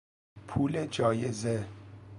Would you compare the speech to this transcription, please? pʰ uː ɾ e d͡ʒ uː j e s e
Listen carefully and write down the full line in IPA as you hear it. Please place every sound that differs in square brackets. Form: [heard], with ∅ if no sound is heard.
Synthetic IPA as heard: pʰ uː [l] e d͡ʒ [ɒː] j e [z] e